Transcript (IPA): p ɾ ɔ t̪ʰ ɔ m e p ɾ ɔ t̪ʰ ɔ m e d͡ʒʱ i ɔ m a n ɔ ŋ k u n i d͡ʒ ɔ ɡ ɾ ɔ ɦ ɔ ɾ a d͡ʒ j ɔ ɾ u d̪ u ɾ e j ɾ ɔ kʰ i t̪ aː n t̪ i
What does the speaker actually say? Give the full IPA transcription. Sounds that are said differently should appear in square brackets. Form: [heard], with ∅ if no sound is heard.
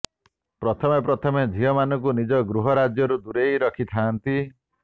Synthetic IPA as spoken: p ɾ ɔ t̪ʰ ɔ m e p ɾ ɔ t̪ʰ ɔ m e d͡ʒʱ i ɔ m a n ɔ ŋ k u n i d͡ʒ ɔ ɡ ɾ [u] ɦ ɔ ɾ a d͡ʒ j ɔ ɾ u d̪ u ɾ e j ɾ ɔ kʰ i [t̪ʰ] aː n t̪ i